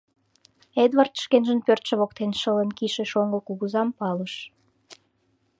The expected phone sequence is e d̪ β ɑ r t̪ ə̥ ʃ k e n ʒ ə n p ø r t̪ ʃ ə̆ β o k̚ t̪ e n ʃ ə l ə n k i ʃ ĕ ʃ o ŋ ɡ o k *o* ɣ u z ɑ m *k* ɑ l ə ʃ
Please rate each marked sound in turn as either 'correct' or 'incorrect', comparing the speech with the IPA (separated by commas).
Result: incorrect, incorrect